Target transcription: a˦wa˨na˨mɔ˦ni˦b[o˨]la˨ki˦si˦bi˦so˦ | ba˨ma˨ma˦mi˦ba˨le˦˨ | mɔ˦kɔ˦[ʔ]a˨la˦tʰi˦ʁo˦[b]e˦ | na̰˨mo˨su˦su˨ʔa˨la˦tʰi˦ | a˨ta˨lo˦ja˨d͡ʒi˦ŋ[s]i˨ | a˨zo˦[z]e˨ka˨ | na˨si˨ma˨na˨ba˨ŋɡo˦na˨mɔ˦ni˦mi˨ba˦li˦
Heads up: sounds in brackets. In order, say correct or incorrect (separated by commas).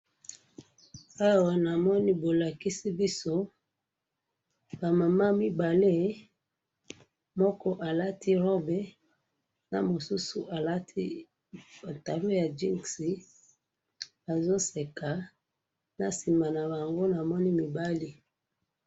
correct, correct, correct, correct, incorrect